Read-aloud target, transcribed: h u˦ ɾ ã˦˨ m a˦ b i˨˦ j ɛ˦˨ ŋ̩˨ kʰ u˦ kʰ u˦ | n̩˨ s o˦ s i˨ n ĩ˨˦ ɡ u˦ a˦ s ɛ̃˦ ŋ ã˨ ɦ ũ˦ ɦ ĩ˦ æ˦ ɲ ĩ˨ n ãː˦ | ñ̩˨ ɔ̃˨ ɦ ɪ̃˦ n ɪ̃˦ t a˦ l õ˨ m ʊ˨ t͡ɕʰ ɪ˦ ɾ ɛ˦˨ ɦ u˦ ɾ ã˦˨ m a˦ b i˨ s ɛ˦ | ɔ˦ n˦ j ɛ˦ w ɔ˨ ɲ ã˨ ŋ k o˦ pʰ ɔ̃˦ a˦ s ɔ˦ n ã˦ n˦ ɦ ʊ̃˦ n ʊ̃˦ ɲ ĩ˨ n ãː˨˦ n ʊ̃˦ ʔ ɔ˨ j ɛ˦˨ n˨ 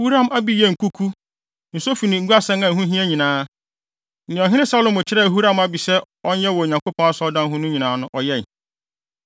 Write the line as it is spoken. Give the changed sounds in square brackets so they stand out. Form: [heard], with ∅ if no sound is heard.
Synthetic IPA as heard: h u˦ ɾ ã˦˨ m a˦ b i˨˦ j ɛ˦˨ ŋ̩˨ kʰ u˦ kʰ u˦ | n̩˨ s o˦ [f] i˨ n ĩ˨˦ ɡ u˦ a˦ s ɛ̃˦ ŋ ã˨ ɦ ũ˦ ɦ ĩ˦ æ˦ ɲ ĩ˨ n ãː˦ | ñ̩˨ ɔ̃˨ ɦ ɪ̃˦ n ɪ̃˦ [s] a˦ l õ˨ m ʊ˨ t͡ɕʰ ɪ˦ ɾ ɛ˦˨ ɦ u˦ ɾ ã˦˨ m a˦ b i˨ s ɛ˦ | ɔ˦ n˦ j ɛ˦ w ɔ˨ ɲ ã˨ ŋ k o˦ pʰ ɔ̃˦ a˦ s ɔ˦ [d] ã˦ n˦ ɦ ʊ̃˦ n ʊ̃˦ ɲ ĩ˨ n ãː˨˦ n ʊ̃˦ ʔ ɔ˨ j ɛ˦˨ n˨